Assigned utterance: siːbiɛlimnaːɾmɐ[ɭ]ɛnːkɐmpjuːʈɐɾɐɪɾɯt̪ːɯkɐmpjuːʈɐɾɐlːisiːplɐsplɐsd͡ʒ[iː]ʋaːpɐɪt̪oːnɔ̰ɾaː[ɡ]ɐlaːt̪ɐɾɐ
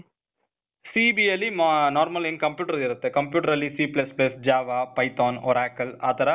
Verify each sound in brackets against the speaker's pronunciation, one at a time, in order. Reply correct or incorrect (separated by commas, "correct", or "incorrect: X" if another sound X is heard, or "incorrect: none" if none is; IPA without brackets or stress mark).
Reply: incorrect: l, incorrect: aː, incorrect: k